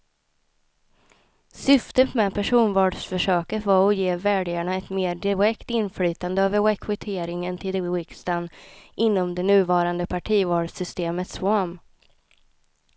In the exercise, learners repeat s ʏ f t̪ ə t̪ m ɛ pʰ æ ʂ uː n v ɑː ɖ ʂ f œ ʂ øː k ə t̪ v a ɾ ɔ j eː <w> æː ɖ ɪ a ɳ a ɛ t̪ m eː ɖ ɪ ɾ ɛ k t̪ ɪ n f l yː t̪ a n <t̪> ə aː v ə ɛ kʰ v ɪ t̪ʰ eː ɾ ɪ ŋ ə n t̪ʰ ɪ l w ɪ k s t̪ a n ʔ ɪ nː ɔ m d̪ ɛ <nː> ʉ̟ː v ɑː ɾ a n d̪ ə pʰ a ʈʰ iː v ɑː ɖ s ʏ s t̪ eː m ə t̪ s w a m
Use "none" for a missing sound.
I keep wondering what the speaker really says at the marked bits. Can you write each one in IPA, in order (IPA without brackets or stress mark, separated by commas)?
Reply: v, d̪, n